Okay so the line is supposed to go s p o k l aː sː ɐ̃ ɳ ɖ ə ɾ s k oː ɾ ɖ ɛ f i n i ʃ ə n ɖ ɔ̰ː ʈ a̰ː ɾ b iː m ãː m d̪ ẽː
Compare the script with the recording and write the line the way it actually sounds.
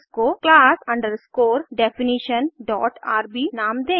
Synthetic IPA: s k o k l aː s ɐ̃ ɳ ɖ ə ɾ s k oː ɾ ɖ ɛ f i n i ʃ ə n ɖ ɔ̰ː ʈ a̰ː ɾ b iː n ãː m d̪ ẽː